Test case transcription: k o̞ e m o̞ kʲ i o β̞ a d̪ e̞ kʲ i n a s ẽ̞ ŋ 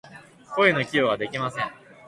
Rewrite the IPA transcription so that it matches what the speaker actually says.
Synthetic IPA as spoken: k o̞ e n o̞ kʲ i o β̞ a d̪ e̞ kʲ i m a s ẽ̞ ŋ